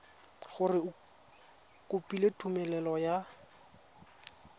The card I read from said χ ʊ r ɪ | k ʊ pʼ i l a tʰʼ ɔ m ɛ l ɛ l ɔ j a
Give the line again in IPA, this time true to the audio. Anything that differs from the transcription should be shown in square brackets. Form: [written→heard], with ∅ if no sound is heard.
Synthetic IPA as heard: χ ʊ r ɪ | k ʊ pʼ i l [a→e] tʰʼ [ɔ→u] m ɛ l ɛ l ɔ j a